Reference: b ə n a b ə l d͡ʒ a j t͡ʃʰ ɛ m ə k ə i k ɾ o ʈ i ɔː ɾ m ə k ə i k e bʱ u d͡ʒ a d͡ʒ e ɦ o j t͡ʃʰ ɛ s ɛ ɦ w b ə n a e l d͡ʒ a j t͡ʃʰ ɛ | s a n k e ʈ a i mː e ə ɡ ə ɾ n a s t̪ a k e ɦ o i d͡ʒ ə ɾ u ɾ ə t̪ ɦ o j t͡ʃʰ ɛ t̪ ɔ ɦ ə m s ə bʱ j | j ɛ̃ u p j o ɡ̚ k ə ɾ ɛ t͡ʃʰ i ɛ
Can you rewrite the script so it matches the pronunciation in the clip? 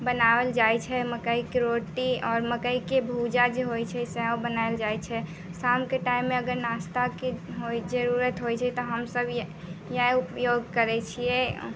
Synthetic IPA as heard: b ə n a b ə l d͡ʒ a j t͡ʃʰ ɛ m ə k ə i k ɾ o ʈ i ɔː ɾ m ə k ə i k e bʱ u d͡ʒ a d͡ʒ e ɦ o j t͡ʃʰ ɛ s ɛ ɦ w b ə n a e l d͡ʒ a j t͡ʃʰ ɛ | s a m k e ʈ a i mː e ə ɡ ə ɾ n a s t̪ a k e ɦ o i d͡ʒ ə ɾ u ɾ ə t̪ ɦ o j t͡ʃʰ ɛ t̪ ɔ ɦ ə m s ə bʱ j | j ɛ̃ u p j o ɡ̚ k ə ɾ ɛ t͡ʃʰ i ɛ